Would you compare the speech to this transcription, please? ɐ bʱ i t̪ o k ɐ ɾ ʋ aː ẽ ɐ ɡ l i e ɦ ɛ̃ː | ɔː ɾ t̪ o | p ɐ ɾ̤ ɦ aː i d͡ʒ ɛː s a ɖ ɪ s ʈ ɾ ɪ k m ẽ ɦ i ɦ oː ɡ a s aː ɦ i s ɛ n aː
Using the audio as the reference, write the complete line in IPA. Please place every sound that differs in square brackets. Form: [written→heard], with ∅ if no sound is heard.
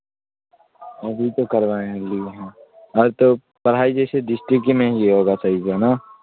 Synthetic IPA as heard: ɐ bʱ i t̪ o k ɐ ɾ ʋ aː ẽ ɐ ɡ l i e ɦ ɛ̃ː | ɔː ɾ t̪ o | p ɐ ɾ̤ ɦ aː i d͡ʒ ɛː s [a→e] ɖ ɪ s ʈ ɾ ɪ k m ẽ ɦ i ɦ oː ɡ a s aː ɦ i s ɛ n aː